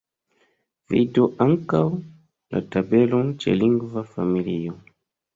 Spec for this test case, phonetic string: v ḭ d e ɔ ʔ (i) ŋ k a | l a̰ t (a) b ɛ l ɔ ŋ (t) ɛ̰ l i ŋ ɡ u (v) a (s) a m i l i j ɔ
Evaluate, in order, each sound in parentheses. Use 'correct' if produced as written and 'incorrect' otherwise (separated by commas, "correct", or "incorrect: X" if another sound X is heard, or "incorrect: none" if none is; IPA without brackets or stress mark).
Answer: incorrect: a, correct, incorrect: t͡ʃ, correct, incorrect: f